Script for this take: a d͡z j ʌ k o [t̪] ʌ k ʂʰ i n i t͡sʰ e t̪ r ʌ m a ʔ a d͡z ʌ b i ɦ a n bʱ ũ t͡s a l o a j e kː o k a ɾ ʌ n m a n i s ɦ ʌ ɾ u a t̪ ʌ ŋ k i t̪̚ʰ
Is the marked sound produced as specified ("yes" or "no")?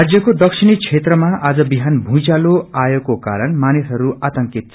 no